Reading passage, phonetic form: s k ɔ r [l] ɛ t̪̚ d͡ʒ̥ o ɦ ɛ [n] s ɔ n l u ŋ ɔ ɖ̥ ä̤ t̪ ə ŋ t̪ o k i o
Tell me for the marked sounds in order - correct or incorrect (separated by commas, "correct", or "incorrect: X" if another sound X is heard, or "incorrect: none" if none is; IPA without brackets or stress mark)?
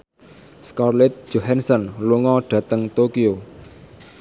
correct, correct